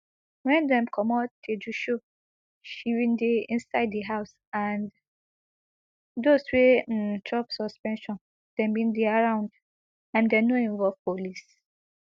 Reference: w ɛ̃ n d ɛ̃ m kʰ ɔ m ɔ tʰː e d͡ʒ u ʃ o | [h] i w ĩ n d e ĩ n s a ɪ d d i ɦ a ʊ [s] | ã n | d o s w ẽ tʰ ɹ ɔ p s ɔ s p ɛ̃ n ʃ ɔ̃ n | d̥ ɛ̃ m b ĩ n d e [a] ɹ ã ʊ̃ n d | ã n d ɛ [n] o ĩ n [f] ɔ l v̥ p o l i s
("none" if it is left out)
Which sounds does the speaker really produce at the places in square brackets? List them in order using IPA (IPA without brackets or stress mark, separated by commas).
ʃ, s, a, n, v